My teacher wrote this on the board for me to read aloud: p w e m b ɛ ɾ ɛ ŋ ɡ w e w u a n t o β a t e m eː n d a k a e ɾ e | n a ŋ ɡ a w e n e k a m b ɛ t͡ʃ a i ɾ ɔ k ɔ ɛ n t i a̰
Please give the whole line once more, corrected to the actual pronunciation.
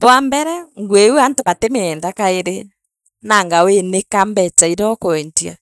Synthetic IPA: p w a m b ɛ ɾ ɛ ŋ ɡ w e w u a n t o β a t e m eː n d a k a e ɾ e | n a ŋ ɡ a w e n e k a m b ɛ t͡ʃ a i ɾ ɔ k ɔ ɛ n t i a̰